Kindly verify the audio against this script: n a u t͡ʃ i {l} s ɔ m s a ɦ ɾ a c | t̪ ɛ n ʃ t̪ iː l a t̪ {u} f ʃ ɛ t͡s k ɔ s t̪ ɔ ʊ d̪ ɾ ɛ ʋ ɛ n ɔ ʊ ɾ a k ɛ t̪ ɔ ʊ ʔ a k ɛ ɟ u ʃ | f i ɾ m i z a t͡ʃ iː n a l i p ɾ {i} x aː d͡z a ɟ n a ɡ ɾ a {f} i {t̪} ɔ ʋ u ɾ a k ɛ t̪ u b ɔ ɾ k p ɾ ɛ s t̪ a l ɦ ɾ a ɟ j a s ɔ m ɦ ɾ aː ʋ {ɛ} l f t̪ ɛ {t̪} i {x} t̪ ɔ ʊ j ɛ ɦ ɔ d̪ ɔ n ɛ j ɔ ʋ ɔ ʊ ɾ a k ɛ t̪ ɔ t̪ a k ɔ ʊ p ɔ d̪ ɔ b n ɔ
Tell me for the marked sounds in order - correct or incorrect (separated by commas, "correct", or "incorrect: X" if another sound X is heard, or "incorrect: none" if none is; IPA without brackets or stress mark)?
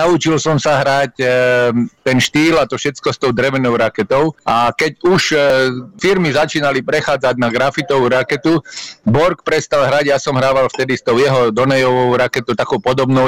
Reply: correct, incorrect: ɔ, incorrect: ɛ, correct, correct, incorrect: a, incorrect: d̪, incorrect: s